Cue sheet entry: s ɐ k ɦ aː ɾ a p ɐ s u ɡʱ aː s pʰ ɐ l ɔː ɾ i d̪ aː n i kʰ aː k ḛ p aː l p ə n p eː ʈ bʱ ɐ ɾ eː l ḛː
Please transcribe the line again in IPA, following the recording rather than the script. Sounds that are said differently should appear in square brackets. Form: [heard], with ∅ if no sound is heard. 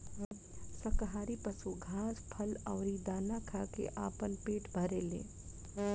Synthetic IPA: s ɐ k ɦ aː ɾ [i] p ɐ s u ɡʱ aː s pʰ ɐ l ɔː ɾ i d̪ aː n [a] kʰ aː k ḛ [ʔ] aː [∅] p ə n p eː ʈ bʱ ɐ ɾ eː l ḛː

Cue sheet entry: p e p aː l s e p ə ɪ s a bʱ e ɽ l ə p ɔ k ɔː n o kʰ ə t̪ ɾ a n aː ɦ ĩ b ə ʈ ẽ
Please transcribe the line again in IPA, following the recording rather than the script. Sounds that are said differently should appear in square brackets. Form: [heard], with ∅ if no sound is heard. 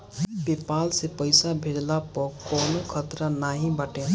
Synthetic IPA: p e p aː l s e p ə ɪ s a bʱ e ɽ l [a] p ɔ k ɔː n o kʰ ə t̪ ɾ a n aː ɦ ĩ b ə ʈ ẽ

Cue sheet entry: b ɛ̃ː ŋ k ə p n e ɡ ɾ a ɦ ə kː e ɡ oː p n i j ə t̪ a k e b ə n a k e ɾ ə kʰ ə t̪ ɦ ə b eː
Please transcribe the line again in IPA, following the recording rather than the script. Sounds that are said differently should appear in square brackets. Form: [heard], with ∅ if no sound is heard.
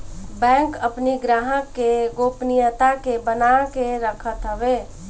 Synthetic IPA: b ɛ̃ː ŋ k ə p n [i] ɡ ɾ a ɦ ə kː e ɡ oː p n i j ə t̪ a k e b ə n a k e ɾ ə kʰ ə t̪ ɦ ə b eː

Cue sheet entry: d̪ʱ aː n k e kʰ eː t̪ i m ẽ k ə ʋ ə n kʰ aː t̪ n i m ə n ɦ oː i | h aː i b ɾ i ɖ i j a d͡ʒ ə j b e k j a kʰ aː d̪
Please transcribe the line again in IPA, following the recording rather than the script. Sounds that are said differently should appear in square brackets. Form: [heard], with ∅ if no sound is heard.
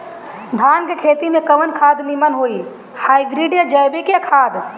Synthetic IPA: d̪ʱ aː n k e kʰ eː t̪ i m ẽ k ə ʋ ə n kʰ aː [d̪] n i m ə n ɦ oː i | h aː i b ɾ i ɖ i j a d͡ʒ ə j b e k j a kʰ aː d̪

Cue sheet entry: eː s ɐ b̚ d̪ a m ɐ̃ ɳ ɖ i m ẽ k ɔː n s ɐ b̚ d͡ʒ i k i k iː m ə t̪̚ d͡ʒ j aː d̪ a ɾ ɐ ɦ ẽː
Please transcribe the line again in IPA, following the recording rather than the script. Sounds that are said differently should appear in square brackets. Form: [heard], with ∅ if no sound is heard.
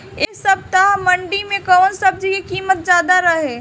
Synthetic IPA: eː s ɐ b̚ [t̪] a m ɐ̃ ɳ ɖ i m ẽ k ɔː n s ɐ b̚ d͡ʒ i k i k iː m ə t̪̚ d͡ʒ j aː d̪ a ɾ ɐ ɦ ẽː

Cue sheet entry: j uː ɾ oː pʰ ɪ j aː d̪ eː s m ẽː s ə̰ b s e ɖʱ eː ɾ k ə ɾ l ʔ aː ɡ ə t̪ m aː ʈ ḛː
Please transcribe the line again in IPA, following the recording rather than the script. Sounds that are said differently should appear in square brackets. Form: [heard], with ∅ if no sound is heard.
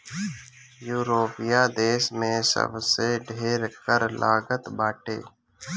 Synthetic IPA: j uː ɾ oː [p] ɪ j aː d̪ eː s m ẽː s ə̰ b s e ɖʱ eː ɾ k ə ɾ l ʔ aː ɡ ə t̪ [b] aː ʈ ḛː

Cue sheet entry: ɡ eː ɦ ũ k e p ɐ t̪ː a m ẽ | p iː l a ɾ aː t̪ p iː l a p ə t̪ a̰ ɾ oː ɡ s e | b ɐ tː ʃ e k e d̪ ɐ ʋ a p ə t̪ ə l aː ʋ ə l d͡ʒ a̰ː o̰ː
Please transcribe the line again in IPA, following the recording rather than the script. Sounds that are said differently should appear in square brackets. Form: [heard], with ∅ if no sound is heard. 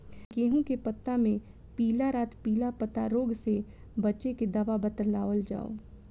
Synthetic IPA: ɡ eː ɦ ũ k e p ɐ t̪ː a m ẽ | p iː l a ɾ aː t̪ p iː l a p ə t̪ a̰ ɾ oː ɡ s e | b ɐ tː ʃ e k e d̪ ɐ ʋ a [b] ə t̪ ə l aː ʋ ə l d͡ʒ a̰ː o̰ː

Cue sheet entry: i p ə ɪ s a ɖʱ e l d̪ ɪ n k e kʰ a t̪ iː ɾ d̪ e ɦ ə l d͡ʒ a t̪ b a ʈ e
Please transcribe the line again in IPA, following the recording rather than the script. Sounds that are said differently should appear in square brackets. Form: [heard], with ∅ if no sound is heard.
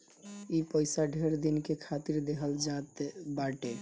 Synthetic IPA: i p ə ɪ s a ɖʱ e [ɾ] d̪ [i] n k e kʰ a t̪ [i] ɾ d̪ e ɦ ə l d͡ʒ a t̪ b a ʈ e

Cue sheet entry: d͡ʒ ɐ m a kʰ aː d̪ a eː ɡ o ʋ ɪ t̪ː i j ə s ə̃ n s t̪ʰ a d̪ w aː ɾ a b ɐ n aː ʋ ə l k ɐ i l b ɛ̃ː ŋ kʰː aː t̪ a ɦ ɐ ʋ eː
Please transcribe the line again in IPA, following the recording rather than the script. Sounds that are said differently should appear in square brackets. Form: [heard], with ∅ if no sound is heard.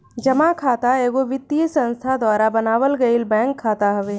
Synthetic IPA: d͡ʒ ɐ m a kʰ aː [t̪] a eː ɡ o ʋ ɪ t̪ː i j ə s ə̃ n s t̪ʰ a d̪ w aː ɾ a b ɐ n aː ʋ ə l [ɡ] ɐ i l b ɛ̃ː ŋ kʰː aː t̪ a ɦ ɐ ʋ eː

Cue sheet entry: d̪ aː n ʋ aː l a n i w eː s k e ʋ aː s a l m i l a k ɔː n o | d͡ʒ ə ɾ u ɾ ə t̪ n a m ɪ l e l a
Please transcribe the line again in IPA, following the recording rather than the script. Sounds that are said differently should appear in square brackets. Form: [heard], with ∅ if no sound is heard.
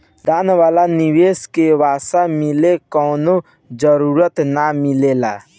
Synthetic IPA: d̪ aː n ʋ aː l a n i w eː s k e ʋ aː s a [∅] m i l [e] k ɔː n o | d͡ʒ ə ɾ u ɾ ə t̪ n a m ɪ l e l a

